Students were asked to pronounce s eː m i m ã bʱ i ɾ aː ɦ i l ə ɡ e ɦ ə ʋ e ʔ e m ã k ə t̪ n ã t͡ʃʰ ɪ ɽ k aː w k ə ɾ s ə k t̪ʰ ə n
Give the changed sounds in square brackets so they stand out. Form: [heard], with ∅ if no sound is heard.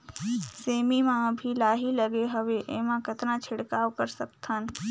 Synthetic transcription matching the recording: s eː m i m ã bʱ i [l] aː ɦ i l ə ɡ e ɦ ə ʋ e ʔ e m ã k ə t̪ n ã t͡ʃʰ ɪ ɽ k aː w k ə ɾ s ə k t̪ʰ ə n